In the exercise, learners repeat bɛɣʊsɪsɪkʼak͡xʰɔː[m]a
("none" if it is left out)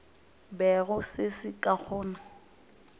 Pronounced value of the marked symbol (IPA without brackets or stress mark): n